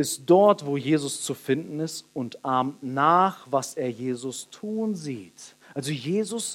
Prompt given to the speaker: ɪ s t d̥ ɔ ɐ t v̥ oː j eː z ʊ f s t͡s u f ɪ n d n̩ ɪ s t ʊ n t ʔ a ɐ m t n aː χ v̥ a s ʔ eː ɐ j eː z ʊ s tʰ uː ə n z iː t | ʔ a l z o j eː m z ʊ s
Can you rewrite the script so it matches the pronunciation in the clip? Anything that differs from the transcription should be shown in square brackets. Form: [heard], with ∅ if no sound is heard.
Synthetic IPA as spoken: ɪ s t d̥ ɔ ɐ t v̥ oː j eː z ʊ [∅] s t͡s u f ɪ n d n̩ ɪ s t ʊ n t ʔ a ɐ m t n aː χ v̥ a s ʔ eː ɐ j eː z ʊ s tʰ uː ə n z iː t | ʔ a l z o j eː [∅] z ʊ s